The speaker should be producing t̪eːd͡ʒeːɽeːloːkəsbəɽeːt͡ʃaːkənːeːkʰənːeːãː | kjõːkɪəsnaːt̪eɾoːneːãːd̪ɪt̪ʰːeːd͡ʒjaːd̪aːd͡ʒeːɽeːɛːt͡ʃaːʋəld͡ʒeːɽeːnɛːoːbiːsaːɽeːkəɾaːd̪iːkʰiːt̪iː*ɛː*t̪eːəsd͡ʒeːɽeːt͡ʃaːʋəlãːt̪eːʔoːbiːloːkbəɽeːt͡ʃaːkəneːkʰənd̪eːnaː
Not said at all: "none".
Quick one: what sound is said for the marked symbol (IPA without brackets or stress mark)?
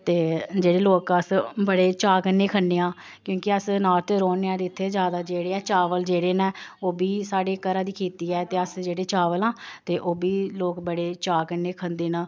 ɛː